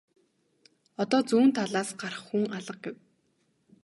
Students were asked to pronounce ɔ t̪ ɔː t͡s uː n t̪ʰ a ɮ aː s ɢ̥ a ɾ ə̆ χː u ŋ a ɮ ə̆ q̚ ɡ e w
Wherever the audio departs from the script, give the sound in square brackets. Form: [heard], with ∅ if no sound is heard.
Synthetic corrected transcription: ɔ t̪ ɔː t͡s uː n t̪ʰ a ɮ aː s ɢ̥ a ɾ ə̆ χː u ŋ a ɮ ə̆ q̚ ɡ e w